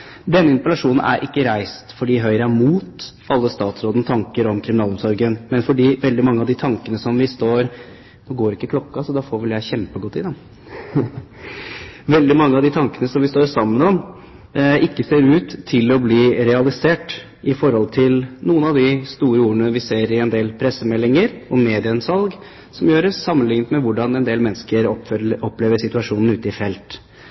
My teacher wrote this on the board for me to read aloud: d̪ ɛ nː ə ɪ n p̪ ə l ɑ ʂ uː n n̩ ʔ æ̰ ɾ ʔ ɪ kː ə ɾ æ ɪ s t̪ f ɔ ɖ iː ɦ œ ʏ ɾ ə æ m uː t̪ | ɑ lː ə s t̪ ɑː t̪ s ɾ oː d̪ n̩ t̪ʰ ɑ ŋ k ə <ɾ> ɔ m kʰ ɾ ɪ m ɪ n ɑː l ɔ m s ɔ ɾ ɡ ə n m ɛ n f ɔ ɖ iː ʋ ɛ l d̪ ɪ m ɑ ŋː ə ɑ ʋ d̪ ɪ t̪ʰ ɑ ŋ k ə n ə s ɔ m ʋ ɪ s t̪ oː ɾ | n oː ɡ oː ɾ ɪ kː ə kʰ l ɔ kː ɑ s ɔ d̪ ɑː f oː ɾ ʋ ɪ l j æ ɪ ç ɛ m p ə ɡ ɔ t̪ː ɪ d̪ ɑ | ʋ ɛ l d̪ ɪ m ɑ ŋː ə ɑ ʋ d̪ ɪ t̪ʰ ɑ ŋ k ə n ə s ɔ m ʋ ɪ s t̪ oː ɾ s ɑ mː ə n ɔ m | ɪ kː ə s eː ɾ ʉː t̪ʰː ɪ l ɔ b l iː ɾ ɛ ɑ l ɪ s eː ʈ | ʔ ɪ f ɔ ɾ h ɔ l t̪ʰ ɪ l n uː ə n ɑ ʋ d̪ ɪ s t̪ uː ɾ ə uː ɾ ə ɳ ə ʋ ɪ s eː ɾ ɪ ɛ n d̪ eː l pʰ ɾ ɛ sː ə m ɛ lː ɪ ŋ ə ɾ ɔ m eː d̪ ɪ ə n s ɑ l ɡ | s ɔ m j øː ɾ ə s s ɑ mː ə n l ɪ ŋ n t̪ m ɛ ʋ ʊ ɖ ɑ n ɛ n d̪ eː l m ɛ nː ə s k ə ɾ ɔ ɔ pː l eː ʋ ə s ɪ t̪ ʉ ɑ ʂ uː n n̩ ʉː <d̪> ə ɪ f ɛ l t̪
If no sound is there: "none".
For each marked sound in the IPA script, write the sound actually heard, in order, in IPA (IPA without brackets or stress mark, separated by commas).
ɾ, t̪